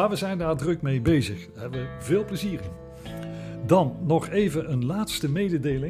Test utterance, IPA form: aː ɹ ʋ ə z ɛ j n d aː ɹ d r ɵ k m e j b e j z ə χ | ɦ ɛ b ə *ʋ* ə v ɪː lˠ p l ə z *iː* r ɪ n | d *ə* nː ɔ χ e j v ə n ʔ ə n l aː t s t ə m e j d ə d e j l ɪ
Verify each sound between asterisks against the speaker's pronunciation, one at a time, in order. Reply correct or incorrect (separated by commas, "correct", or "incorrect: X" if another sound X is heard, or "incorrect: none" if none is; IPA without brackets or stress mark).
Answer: correct, correct, incorrect: ɑ